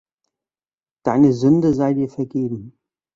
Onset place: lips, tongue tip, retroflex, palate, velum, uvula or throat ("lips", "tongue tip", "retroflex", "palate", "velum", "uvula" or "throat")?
tongue tip